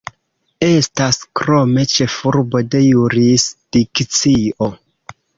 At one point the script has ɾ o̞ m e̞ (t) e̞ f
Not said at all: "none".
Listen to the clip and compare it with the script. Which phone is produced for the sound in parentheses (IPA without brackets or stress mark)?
t͡ʃ